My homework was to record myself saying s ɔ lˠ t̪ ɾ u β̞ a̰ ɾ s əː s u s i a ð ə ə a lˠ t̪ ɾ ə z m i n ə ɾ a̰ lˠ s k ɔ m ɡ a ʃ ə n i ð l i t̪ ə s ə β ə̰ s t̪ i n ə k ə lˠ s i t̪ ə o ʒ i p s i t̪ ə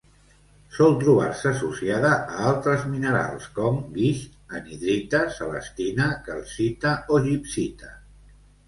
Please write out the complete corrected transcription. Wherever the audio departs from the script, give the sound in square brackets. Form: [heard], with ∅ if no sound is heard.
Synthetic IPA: s ɔ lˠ t̪ ɾ u β̞ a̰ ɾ s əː s u s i a ð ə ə a lˠ t̪ ɾ ə z m i n ə ɾ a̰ lˠ s k ɔ m ɡ [i] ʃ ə n i ð [ɾ] i t̪ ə s ə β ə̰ s t̪ i n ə k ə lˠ s i t̪ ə o ʒ i p s i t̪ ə